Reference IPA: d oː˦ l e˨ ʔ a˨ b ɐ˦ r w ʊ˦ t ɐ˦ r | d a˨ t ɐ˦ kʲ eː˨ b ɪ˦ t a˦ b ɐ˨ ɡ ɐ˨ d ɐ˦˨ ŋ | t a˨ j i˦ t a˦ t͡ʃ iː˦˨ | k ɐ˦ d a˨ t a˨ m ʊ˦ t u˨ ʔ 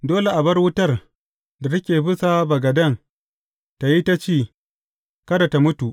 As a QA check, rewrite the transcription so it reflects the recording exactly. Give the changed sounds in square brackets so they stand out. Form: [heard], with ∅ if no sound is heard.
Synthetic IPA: d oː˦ l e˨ ʔ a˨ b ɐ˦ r w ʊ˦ t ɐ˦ r | d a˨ t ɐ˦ kʲ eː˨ b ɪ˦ [s] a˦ b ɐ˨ ɡ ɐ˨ d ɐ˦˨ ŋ | t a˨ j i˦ t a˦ t͡ʃ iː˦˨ | k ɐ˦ d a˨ t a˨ m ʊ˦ t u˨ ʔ